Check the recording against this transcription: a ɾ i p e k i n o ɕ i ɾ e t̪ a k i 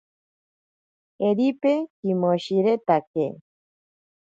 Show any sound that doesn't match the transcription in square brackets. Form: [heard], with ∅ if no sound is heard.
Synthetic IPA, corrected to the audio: [e] ɾ i p e k i [m] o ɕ i ɾ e t̪ a k [e]